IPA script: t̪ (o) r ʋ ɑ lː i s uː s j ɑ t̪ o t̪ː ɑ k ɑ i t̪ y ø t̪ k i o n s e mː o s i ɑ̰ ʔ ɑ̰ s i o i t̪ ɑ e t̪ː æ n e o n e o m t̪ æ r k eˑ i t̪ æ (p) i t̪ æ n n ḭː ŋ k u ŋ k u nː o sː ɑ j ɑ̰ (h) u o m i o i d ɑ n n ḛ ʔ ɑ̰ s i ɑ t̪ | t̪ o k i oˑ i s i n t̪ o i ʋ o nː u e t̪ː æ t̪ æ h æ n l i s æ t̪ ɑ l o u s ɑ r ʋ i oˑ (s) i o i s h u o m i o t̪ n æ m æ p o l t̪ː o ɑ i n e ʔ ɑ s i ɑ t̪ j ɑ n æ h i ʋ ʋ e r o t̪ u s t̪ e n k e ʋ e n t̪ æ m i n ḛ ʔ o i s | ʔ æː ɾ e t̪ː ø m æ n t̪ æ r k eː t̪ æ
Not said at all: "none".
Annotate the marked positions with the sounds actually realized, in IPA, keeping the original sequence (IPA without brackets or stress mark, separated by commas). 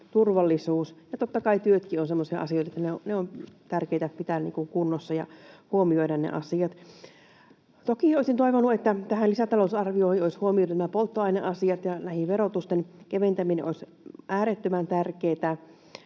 u, p, h, h